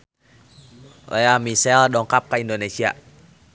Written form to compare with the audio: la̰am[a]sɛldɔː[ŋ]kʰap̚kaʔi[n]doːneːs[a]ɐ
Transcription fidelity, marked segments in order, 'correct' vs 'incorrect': incorrect, correct, correct, incorrect

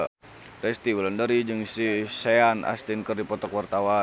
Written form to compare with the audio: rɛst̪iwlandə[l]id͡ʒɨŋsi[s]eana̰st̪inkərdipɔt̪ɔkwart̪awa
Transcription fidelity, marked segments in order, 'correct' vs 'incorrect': incorrect, correct

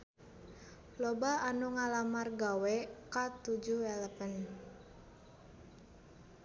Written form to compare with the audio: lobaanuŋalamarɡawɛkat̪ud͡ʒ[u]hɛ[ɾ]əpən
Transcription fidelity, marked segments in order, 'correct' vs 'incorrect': correct, incorrect

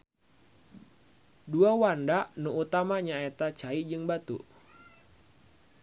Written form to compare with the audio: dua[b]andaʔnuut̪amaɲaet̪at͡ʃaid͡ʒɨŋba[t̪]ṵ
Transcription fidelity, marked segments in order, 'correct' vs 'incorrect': incorrect, correct

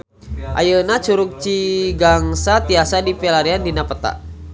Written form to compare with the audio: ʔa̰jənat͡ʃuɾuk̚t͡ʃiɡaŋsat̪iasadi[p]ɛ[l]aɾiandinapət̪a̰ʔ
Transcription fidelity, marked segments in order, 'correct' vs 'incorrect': correct, correct

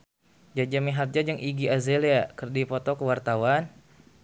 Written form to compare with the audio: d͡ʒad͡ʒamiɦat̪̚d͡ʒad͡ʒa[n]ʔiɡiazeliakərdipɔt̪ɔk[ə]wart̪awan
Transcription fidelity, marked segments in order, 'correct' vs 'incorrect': incorrect, correct

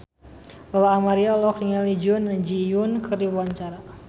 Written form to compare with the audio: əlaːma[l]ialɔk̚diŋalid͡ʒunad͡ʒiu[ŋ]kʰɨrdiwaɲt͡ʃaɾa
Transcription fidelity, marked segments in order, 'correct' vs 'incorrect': incorrect, incorrect

